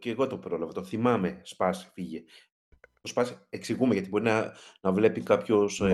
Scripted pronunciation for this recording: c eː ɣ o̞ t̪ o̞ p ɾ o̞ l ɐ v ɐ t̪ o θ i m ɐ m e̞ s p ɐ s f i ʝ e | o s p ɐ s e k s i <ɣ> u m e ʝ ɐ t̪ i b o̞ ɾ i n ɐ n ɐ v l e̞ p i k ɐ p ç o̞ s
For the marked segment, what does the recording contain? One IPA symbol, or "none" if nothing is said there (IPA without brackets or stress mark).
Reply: ɣ